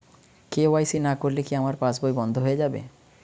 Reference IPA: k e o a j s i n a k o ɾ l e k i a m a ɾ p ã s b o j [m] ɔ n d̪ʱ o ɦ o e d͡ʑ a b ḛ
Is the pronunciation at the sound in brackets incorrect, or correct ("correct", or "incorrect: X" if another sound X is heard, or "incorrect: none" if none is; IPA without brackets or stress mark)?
incorrect: b